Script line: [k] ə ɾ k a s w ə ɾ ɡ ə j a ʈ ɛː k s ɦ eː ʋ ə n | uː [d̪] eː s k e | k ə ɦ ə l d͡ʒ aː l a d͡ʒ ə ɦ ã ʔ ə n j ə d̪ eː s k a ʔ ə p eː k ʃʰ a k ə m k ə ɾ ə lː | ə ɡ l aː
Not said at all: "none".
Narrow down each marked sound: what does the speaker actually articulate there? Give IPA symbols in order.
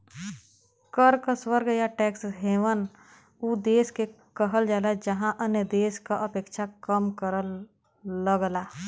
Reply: k, d̪

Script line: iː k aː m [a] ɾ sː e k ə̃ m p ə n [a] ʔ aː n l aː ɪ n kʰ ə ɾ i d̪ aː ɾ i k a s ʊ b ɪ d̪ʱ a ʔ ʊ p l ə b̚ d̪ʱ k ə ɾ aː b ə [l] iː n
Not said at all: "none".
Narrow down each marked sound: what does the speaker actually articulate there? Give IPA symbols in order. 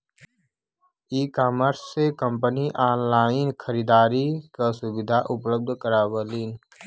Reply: ə, i, l

